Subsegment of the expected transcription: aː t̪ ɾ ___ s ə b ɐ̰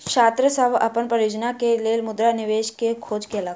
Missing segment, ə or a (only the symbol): ə